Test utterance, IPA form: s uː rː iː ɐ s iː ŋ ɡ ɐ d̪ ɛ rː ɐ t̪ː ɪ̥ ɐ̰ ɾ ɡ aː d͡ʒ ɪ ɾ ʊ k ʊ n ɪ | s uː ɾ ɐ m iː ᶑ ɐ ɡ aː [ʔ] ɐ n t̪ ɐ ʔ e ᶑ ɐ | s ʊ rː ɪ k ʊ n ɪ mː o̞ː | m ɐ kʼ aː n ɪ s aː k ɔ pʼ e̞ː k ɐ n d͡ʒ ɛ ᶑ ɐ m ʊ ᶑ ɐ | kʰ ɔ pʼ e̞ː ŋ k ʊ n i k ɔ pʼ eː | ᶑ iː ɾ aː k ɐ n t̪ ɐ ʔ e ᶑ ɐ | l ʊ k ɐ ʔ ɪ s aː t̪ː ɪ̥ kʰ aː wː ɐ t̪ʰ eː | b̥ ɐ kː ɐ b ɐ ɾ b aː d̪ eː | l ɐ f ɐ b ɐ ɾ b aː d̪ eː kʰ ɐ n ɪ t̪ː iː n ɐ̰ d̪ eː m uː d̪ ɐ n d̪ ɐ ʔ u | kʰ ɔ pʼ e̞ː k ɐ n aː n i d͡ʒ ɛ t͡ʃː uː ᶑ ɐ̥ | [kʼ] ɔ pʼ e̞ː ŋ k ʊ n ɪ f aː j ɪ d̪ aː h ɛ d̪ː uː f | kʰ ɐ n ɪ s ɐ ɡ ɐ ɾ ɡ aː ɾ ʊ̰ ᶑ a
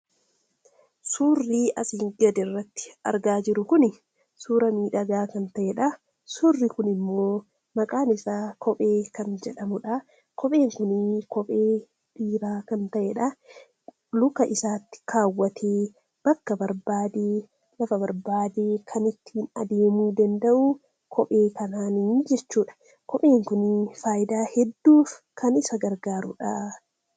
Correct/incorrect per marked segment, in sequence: incorrect: k, incorrect: k

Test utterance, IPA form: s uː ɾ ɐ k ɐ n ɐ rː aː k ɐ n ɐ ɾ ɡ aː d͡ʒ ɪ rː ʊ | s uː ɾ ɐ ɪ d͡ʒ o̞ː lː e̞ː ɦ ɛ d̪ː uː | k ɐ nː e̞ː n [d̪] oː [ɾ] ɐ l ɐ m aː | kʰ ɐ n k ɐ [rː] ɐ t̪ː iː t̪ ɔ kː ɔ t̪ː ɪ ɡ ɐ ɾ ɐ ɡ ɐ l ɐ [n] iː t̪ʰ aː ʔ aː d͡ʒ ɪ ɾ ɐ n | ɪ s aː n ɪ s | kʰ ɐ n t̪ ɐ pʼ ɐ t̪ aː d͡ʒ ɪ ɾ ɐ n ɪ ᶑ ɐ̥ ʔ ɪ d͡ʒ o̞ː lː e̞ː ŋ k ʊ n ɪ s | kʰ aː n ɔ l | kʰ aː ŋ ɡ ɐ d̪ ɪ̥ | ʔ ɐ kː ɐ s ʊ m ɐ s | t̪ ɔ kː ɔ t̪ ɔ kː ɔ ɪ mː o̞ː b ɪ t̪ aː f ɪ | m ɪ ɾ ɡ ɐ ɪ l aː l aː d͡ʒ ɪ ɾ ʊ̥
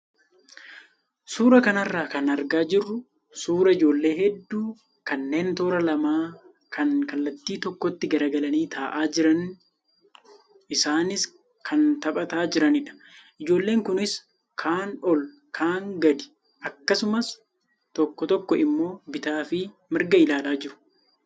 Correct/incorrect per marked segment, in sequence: incorrect: t̪, correct, incorrect: lː, correct

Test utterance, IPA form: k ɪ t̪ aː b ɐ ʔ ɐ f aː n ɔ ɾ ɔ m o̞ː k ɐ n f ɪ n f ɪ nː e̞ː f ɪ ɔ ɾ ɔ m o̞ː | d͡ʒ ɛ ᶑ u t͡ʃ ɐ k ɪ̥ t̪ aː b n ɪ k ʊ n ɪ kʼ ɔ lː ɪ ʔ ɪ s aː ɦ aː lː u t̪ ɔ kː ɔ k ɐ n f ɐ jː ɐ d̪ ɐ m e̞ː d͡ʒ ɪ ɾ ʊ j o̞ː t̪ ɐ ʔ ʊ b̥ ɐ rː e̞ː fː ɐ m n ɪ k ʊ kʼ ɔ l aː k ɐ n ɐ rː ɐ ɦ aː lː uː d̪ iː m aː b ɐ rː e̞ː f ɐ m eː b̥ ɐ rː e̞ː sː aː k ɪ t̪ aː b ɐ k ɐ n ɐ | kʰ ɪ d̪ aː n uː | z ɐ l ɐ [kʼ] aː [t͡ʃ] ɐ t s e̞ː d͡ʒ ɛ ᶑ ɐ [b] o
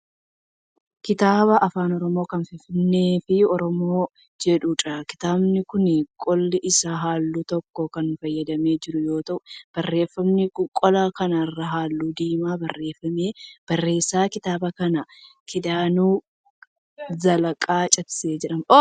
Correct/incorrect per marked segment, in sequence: correct, incorrect: t͡ʃʼ, incorrect: m

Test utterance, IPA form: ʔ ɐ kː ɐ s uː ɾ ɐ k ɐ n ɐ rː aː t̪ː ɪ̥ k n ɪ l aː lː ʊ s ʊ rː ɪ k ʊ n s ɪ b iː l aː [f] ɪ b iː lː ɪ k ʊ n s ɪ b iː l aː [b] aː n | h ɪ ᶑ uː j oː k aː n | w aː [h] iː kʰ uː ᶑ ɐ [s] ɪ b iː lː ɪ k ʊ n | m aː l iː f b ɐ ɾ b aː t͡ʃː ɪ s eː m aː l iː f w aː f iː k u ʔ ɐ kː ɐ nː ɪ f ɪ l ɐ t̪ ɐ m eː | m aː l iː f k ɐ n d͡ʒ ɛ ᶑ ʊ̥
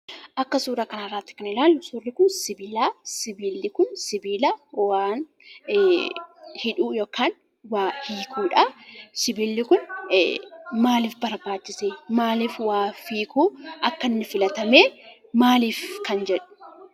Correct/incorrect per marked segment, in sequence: incorrect: s, incorrect: w, correct, correct

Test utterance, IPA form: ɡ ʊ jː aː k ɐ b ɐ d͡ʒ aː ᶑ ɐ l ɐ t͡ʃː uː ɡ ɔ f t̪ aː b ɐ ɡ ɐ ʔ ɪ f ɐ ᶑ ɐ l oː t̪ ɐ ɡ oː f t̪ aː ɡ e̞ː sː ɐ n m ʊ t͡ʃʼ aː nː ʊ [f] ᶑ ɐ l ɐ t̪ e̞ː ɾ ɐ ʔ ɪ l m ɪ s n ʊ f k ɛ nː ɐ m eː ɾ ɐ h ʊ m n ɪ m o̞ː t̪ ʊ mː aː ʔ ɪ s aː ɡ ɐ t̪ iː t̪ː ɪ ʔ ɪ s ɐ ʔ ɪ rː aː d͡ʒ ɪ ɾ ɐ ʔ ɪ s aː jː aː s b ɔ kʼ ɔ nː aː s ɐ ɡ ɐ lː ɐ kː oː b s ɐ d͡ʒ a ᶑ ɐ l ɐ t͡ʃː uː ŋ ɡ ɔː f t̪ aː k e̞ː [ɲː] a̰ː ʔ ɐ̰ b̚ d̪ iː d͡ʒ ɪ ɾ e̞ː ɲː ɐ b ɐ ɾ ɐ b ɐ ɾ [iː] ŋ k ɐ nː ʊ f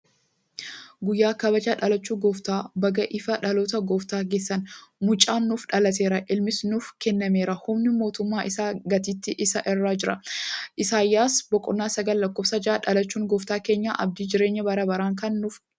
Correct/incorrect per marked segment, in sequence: correct, correct, incorrect: aː

